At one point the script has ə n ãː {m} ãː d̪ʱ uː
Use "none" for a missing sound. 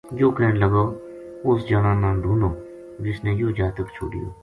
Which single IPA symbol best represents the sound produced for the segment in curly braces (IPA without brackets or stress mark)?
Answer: n